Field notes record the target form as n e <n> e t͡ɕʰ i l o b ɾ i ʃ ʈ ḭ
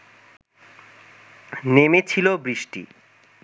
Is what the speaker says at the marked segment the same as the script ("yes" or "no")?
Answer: no